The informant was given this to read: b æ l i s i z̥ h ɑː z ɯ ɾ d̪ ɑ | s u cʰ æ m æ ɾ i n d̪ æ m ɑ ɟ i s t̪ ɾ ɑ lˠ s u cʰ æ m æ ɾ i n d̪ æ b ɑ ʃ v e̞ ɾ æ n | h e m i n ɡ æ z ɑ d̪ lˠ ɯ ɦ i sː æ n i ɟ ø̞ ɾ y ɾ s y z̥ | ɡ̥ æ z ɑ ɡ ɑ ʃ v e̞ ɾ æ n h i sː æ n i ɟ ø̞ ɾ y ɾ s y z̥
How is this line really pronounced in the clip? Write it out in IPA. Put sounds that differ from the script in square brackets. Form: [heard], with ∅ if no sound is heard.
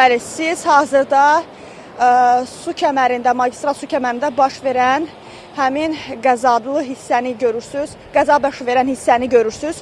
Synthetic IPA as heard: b æ l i s i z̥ h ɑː z ɯ ɾ d̪ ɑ | s u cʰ æ m æ ɾ i n d̪ æ m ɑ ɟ i s t̪ ɾ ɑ lˠ s u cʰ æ m æ ɾ i n d̪ æ b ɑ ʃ v e̞ ɾ æ n | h [æ] m i n ɡ æ z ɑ d̪ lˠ ɯ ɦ i sː æ n i ɟ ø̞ ɾ y ɾ s y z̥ | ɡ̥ æ z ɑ [b] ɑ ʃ v e̞ ɾ æ n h i sː æ n i ɟ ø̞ ɾ y ɾ s y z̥